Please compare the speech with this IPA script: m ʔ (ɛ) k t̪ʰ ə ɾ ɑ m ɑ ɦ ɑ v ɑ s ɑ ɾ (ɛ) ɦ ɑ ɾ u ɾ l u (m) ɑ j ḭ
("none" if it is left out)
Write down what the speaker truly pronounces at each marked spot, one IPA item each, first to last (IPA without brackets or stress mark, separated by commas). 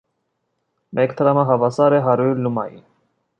ɛ, ɛ, m